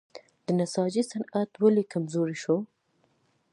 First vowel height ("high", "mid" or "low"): mid